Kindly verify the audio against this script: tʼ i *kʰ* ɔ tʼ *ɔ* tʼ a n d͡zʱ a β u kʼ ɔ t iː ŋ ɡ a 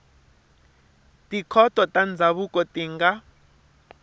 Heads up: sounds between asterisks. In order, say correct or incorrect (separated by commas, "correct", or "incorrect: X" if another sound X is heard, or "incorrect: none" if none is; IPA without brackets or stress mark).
correct, correct